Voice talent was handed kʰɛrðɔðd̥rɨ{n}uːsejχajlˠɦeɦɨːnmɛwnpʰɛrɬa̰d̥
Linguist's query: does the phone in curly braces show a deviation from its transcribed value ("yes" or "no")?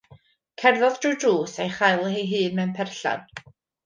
yes